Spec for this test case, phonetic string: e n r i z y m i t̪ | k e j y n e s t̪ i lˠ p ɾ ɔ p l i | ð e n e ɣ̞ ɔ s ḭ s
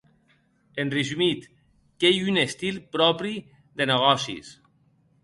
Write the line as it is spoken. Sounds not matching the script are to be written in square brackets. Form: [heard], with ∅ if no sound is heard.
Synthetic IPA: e n r i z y m i t̪ | k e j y n e s t̪ i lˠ p ɾ ɔ p [ɾ] i | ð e n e ɣ̞ ɔ s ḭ s